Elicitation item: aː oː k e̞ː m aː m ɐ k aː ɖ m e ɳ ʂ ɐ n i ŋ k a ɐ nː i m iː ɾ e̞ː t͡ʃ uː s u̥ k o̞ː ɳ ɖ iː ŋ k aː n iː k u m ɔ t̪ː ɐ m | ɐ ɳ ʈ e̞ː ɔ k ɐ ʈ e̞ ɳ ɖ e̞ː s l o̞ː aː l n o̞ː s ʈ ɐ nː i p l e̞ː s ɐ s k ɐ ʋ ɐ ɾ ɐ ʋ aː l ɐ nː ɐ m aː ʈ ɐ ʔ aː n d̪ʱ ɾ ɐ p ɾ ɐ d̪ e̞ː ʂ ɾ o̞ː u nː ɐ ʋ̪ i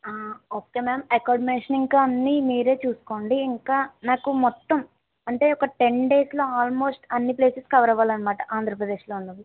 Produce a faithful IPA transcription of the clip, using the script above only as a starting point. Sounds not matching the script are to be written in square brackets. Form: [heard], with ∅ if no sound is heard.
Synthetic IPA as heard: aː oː k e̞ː m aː m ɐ k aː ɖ m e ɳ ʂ ɐ n i ŋ k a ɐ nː i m iː ɾ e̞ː t͡ʃ uː s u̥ k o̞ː ɳ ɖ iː ŋ k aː n [aː] k u m ɔ t̪ː ɐ m | ɐ ɳ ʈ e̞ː ɔ k ɐ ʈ e̞ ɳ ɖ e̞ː s l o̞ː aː l [m] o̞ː s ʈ ɐ nː i p l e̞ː s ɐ s k ɐ ʋ ɐ ɾ ɐ ʋ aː l ɐ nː ɐ m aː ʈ ɐ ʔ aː n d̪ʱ ɾ ɐ p ɾ ɐ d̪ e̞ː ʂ [l] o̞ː u nː ɐ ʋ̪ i